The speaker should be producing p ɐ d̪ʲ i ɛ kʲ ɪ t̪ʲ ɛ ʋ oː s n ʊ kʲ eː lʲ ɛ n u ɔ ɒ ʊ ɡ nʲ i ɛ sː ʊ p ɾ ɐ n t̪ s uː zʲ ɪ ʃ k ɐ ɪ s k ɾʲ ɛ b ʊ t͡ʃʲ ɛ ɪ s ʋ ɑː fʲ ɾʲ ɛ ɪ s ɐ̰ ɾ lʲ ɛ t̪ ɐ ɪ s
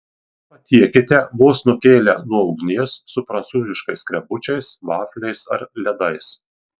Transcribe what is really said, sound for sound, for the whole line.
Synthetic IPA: p ɐ t̪ʲ i ɛ kʲ ɪ t̪ʲ ɛ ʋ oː s n ʊ kʲ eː lʲ ɛ n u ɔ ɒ ʊ ɡ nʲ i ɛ sː ʊ p ɾ ɐ n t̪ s uː zʲ ɪ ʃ k ɐ ɪ s k ɾʲ ɛ b ʊ t͡ʃʲ ɛ ɪ s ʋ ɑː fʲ lʲ ɛ ɪ s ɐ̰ ɾ lʲ ɛ d̪ ɐ ɪ s